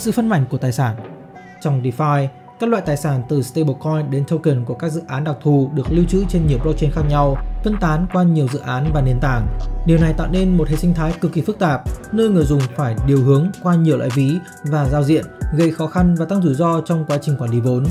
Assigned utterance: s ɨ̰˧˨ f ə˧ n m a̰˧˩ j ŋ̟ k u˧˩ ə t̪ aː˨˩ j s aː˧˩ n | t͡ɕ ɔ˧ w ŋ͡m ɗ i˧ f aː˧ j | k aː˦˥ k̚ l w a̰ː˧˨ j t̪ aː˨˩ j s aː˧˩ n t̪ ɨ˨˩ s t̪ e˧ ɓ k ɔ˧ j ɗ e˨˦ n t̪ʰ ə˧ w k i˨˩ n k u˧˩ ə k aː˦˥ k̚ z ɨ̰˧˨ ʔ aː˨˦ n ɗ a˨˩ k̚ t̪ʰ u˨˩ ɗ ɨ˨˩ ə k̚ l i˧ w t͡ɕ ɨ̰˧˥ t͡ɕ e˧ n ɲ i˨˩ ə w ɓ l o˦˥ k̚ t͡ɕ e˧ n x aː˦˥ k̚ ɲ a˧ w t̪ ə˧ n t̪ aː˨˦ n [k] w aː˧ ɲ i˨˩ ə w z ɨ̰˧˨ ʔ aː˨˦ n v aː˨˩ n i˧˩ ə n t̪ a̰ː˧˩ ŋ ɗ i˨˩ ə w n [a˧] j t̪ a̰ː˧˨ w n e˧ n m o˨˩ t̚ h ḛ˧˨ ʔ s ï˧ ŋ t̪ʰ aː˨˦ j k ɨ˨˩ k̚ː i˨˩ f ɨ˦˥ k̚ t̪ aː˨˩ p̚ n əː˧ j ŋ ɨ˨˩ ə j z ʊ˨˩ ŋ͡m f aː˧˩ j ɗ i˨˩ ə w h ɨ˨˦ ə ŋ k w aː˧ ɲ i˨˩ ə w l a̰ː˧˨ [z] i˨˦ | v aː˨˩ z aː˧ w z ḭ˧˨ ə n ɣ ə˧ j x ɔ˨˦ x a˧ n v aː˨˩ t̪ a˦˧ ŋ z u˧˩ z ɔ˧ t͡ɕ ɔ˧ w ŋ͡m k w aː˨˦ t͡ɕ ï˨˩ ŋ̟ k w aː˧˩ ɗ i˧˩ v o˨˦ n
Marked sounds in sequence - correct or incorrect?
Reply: correct, incorrect: a˨˩, incorrect: v

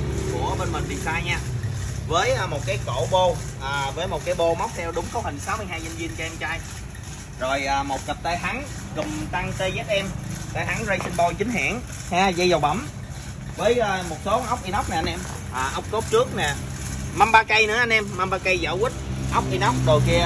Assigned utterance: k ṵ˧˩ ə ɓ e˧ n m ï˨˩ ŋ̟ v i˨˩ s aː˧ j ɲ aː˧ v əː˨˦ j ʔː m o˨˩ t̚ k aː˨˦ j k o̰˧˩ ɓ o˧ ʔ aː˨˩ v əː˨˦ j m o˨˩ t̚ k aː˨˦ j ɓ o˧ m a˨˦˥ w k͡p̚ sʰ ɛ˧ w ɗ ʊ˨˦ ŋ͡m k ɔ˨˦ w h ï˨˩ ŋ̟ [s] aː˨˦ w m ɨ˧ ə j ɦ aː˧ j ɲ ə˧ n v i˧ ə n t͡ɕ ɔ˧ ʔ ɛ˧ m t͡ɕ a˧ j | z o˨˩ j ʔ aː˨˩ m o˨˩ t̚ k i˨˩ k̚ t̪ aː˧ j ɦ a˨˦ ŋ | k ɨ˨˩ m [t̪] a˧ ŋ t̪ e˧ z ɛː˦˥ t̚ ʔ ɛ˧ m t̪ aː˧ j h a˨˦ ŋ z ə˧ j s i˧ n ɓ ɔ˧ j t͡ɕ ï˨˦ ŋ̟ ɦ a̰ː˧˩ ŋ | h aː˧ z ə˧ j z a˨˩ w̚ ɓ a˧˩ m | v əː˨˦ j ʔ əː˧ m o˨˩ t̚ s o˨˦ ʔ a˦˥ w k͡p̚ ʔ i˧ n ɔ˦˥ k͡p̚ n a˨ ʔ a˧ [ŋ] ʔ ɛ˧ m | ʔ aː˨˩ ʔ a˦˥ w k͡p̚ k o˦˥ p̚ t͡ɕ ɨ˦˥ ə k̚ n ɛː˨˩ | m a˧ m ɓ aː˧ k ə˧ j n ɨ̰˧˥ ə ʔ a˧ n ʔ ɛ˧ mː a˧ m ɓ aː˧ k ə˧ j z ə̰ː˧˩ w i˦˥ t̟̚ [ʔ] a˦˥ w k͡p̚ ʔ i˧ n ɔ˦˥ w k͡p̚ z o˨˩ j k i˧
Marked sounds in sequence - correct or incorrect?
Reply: correct, correct, incorrect: n, correct

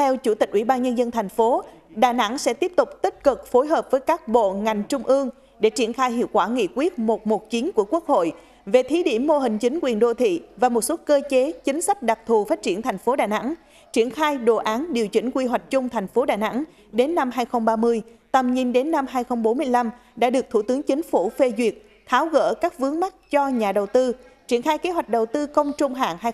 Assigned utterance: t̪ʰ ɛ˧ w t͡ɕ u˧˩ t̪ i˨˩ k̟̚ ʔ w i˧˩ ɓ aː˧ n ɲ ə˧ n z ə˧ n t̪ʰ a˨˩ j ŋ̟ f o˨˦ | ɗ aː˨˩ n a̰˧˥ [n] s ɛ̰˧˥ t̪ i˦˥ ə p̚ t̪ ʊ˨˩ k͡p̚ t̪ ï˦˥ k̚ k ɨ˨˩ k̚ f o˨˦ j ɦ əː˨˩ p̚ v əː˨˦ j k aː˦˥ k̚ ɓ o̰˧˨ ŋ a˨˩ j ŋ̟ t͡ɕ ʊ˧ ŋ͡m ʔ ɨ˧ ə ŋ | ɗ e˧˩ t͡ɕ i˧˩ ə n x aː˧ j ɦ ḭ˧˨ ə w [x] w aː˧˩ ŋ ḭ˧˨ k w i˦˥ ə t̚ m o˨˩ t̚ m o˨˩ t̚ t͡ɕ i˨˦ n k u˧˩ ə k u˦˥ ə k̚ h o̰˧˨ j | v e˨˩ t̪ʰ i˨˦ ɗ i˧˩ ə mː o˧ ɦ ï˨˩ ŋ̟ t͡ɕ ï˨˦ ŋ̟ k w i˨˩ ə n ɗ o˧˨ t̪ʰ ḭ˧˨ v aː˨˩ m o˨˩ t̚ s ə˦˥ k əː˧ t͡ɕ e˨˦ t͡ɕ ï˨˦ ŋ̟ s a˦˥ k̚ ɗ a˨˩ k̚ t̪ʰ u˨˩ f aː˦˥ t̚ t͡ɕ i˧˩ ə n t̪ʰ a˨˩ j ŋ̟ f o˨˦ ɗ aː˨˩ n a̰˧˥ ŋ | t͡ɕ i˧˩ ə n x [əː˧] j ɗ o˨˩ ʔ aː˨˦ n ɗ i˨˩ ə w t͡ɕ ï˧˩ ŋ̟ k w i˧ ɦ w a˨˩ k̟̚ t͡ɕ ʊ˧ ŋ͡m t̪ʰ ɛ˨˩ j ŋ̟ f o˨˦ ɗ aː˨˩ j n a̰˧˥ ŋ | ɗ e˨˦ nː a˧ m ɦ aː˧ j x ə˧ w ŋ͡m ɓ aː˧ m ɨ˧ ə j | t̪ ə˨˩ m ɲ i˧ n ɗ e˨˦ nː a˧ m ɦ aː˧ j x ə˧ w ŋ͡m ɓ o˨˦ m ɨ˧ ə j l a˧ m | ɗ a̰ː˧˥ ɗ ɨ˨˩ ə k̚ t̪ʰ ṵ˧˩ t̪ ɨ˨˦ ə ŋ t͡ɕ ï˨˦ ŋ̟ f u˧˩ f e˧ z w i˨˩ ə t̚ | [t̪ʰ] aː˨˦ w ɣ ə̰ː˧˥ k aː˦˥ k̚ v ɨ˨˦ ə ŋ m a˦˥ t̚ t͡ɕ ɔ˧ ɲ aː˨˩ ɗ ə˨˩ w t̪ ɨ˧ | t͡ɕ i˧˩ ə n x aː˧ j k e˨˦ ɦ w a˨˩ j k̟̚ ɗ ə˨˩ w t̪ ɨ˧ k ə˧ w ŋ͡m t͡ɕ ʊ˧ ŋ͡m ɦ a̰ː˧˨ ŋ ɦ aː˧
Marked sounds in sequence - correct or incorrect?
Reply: incorrect: ŋ, incorrect: k, incorrect: aː˧, correct

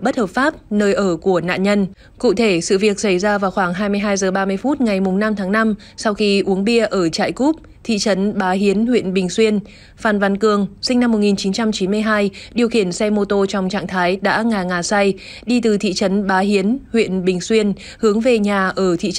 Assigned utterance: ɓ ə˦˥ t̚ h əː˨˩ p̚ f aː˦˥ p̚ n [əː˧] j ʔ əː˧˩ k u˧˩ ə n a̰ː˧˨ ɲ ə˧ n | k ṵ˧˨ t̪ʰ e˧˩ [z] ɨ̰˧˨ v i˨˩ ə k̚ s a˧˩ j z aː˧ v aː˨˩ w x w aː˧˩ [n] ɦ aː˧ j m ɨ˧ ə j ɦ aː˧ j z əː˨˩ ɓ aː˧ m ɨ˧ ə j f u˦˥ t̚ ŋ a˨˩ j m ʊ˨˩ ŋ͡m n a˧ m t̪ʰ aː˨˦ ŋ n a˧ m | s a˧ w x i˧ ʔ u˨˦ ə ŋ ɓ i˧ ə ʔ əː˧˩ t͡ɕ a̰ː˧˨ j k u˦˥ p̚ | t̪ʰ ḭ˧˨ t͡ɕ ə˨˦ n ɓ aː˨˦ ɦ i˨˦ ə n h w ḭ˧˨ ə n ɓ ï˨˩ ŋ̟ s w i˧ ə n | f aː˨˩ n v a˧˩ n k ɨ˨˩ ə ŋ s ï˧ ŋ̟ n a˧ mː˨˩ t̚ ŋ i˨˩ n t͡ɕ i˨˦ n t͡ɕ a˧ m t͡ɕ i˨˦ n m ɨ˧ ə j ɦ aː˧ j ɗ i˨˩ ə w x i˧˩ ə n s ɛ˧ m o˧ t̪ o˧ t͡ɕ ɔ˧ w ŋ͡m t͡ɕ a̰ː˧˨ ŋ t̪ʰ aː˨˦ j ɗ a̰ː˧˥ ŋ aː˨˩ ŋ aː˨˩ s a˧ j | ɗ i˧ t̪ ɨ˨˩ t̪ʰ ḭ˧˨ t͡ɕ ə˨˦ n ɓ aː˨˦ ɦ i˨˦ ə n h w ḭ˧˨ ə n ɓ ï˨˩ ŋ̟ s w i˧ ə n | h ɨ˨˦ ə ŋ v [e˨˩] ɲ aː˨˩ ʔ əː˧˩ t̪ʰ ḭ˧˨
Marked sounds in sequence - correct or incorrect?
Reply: correct, incorrect: s, incorrect: ŋ, correct

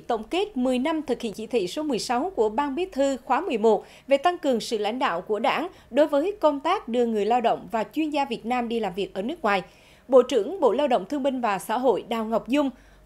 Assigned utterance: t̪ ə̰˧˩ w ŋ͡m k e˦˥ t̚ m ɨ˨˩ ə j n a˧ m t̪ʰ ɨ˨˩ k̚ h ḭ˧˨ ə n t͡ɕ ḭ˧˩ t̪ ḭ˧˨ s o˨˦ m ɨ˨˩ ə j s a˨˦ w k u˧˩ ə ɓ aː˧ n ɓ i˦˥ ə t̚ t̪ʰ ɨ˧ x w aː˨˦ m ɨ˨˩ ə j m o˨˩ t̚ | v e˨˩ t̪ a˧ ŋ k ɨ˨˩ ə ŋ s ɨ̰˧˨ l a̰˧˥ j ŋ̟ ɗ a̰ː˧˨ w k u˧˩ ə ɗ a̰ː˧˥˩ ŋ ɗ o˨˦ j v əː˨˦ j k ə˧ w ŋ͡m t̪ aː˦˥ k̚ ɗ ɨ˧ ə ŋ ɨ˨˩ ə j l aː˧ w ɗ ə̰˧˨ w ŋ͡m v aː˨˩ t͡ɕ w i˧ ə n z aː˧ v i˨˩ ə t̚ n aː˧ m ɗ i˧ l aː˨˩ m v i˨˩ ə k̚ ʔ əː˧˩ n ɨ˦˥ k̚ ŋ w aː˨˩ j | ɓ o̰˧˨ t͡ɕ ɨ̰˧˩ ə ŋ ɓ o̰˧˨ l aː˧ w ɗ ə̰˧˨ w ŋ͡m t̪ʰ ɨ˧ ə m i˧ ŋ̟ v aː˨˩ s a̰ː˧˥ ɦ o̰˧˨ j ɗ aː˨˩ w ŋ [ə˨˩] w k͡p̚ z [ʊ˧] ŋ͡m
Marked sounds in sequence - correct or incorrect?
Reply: incorrect: a˨˩, correct

